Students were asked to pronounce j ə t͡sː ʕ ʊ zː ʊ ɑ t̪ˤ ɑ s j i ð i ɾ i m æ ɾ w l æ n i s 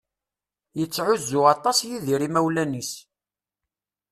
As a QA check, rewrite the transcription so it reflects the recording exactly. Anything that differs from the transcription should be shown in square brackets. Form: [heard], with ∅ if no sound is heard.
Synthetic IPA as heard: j ə t͡sː ʕ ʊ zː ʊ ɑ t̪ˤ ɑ s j i ð i ɾ i m æ [∅] w l æ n i s